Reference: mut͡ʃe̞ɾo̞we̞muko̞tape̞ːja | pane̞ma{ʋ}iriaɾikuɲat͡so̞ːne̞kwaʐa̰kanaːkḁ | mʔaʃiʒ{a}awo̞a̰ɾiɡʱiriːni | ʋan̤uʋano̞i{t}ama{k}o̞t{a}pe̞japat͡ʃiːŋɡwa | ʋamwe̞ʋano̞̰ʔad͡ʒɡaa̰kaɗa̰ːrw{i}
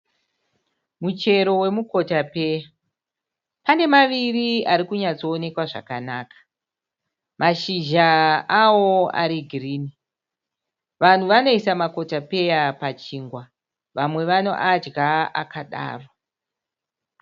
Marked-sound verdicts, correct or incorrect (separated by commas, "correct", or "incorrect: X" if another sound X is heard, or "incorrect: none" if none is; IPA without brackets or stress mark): correct, correct, incorrect: s, correct, correct, incorrect: a